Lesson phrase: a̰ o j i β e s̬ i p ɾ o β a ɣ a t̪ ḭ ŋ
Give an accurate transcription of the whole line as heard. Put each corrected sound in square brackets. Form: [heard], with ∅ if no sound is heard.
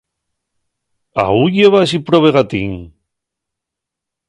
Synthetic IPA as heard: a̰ [u] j [e] β [a] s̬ i p ɾ o β [e] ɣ a t̪ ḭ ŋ

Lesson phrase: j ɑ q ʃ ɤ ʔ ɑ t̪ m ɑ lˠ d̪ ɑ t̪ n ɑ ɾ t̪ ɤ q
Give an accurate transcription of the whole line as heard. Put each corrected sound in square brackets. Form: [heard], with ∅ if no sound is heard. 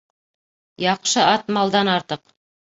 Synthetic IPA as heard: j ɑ q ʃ ɤ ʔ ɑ t̪ m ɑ lˠ d̪ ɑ [∅] n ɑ ɾ t̪ ɤ q

